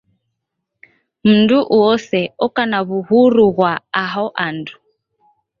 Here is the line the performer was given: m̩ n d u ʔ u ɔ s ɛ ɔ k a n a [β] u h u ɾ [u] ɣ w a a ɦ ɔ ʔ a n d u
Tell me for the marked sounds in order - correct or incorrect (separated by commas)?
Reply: correct, correct